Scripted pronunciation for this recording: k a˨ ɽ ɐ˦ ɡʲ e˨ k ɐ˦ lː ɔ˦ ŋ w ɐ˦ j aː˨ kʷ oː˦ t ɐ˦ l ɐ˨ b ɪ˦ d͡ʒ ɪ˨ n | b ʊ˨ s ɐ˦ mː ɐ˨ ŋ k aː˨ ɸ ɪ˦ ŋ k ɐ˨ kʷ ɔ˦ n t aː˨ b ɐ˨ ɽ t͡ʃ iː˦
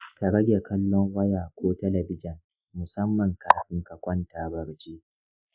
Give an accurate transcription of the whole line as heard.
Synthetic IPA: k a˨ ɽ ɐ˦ ɡʲ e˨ k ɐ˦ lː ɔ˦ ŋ w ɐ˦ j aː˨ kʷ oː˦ t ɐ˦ l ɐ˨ b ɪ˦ d͡ʒ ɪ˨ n | m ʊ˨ s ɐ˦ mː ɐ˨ ŋ k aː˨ ɸ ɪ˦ ŋ k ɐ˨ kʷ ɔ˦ n t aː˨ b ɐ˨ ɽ t͡ʃ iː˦